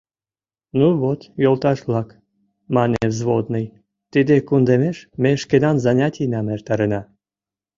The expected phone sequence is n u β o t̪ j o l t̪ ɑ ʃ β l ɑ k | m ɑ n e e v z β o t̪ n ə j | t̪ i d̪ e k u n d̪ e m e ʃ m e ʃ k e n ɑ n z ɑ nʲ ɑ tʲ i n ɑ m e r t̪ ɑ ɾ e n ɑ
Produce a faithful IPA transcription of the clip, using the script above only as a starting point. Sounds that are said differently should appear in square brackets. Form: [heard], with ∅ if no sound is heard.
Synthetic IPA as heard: n u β o t̪ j o l t̪ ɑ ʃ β l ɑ k | m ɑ n e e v z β o [d̪] n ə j | t̪ i d̪ e k u n d̪ e m e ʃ m e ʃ k e n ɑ n z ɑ nʲ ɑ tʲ i n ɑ m e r t̪ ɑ ɾ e n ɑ